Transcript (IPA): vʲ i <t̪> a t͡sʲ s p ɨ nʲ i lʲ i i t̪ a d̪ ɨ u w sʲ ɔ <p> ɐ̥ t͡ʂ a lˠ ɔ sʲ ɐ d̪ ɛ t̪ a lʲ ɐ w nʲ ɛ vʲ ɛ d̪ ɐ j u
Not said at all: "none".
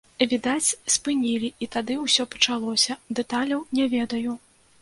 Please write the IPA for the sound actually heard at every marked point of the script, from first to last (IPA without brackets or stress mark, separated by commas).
d̪, p